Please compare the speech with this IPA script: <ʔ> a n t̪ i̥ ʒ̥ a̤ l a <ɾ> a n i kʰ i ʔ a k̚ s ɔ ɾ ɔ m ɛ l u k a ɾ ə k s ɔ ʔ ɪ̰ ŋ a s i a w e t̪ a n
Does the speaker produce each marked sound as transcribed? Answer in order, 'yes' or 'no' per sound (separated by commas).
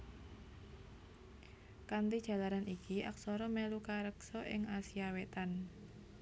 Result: no, yes